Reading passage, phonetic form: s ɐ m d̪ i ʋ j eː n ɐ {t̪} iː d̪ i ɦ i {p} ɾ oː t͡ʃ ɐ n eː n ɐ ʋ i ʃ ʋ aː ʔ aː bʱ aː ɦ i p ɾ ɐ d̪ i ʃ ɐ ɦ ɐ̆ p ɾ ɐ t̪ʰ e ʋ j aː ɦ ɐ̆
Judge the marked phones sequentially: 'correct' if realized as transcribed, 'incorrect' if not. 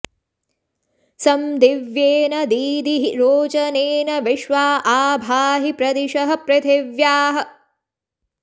incorrect, incorrect

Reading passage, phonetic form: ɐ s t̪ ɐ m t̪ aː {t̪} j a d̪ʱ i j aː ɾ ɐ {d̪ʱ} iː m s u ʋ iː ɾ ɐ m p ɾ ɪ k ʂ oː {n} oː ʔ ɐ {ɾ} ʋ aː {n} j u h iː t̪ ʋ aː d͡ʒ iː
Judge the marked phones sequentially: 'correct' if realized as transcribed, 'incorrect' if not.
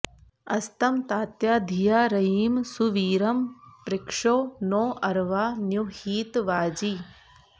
correct, incorrect, correct, correct, correct

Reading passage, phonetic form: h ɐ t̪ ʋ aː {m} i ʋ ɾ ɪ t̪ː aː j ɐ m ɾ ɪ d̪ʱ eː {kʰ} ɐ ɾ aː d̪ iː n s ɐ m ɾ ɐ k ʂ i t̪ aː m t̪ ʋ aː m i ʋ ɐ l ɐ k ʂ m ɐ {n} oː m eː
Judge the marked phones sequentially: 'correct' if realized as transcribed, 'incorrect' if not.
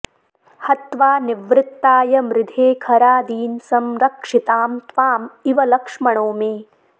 incorrect, correct, incorrect

